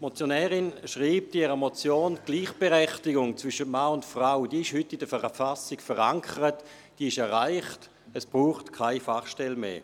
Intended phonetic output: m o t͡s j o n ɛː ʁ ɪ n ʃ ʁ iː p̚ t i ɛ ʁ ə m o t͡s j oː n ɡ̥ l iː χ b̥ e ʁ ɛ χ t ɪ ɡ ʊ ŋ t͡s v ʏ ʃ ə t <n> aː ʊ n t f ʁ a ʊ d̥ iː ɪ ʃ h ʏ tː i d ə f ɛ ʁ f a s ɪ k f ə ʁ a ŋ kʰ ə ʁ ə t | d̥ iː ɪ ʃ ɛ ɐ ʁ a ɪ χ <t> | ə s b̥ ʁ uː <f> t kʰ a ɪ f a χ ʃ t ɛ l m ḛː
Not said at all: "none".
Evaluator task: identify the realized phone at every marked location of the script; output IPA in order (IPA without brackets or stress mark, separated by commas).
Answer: m, t, χ